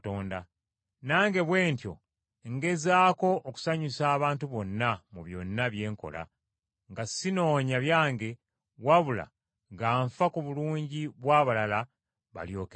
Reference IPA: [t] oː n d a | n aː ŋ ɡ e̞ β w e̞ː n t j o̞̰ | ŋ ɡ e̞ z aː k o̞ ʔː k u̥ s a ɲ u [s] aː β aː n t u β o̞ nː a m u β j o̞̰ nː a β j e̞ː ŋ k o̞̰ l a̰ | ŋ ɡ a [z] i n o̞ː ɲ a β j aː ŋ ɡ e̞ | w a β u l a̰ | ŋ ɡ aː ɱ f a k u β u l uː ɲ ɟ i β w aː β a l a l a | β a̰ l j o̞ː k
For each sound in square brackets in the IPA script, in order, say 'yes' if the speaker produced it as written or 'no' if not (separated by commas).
yes, yes, no